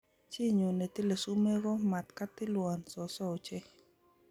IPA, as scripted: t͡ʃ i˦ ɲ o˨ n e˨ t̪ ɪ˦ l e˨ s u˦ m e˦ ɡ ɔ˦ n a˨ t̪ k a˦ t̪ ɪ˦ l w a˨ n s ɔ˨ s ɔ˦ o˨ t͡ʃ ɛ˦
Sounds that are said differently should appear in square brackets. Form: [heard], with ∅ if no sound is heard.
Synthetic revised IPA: t͡ʃ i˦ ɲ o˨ n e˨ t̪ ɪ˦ l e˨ s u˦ m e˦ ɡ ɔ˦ [m] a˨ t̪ k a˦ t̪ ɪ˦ l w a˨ n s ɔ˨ s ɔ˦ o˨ t͡ʃ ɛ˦